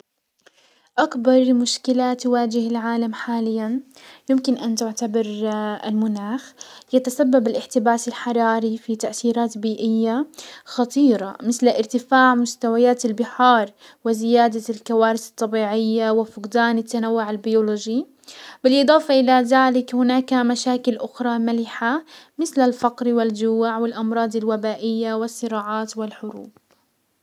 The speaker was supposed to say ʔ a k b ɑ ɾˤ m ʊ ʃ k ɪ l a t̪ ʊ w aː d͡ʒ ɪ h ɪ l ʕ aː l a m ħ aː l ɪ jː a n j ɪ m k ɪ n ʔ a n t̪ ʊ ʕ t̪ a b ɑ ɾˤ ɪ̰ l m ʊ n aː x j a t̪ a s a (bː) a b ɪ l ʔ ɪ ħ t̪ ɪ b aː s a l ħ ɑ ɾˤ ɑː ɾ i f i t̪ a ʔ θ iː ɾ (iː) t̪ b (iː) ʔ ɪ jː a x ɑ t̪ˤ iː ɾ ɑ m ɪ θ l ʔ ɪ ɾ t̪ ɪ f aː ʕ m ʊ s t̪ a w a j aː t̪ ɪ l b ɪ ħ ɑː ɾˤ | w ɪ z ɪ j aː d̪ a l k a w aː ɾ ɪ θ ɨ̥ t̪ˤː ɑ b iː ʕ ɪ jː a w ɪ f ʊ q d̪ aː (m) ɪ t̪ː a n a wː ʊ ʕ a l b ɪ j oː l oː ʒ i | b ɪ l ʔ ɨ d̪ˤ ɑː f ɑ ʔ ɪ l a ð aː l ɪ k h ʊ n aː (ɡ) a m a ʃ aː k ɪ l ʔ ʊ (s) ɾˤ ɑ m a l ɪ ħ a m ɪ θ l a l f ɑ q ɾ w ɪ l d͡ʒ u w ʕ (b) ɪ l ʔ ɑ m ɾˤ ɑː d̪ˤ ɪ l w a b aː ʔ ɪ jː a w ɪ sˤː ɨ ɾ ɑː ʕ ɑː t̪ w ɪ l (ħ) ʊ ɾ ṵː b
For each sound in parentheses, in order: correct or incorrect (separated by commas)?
correct, incorrect, correct, incorrect, incorrect, incorrect, incorrect, correct